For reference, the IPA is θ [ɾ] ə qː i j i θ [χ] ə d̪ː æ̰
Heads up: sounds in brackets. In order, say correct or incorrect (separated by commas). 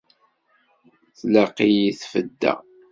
incorrect, incorrect